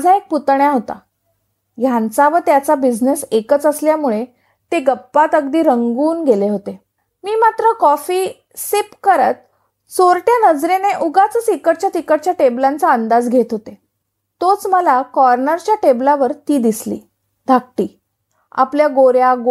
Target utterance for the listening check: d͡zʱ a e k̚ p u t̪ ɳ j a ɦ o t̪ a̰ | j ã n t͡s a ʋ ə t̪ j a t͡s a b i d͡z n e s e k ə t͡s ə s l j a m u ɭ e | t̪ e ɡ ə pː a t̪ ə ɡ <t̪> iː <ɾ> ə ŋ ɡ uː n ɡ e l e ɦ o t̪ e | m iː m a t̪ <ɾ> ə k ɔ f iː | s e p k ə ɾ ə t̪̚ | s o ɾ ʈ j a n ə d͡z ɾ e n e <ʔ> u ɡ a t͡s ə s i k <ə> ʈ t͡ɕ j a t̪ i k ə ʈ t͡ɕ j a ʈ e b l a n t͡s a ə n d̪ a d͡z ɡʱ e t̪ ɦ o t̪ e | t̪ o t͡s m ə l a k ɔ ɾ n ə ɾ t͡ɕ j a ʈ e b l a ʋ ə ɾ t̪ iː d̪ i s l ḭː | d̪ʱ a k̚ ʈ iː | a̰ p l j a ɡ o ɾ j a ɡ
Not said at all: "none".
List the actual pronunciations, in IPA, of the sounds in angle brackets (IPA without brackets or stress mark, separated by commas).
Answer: d̪, ɾ, ɾ, ʔ, ə